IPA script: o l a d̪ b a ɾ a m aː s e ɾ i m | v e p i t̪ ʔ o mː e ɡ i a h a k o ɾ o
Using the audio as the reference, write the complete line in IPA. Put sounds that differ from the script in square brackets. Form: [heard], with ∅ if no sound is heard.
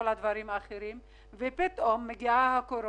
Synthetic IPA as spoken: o l a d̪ [v] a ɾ [i] m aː [χ] e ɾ i m | v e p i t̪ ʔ o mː e ɡ i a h a k o ɾ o